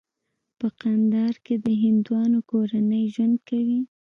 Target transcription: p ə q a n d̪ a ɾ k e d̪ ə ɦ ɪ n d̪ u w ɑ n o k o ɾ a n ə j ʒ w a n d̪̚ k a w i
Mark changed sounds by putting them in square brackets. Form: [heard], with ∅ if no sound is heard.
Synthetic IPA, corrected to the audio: p ə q a n d̪ [ɑ] ɾ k e d̪ ə ɦ ɪ n d̪ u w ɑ n o k o ɾ a n ə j ʒ w a n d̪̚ k a w i